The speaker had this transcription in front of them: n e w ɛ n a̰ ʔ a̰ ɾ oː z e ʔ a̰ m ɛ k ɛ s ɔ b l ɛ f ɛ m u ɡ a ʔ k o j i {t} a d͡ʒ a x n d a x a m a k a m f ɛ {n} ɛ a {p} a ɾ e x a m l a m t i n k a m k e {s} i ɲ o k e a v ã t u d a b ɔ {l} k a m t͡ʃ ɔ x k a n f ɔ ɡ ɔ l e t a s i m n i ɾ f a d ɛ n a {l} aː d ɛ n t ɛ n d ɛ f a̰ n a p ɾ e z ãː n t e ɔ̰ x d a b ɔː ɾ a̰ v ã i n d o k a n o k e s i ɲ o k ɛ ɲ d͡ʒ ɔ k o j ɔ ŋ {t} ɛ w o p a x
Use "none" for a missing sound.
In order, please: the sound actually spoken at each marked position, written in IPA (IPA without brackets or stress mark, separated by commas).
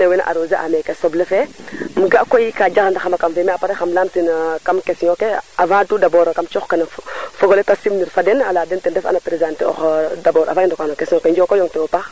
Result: k, m, p, s, ɾ, l, t